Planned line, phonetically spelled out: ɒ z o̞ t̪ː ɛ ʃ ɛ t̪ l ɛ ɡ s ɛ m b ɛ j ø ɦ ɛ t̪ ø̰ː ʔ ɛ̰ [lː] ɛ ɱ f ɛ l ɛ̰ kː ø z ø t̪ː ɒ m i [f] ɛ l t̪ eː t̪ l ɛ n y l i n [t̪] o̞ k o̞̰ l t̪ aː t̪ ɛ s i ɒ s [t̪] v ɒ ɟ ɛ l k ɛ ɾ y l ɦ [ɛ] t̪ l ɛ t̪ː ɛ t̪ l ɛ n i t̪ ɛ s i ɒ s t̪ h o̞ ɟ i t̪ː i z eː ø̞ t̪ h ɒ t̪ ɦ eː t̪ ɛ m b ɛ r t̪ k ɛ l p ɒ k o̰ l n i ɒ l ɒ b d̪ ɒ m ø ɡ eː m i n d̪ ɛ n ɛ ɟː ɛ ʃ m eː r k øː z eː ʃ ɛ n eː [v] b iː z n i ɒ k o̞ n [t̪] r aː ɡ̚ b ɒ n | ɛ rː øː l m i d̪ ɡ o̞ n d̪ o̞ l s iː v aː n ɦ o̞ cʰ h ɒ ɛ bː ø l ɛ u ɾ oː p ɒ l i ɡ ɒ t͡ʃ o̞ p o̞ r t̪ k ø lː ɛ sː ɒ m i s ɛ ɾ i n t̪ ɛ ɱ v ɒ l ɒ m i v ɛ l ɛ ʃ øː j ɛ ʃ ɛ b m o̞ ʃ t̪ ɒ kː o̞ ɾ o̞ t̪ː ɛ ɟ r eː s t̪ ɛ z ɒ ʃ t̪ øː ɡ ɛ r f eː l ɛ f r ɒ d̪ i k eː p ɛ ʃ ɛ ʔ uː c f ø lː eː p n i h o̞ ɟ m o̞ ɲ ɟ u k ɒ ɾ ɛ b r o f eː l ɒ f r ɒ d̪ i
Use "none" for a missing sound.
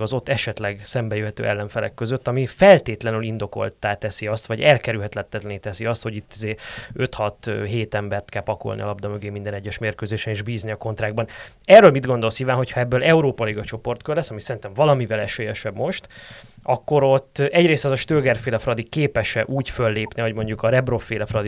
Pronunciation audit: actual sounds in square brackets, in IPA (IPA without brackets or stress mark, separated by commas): lː, f, d̪, t̪, ɛ, ʒ, t̪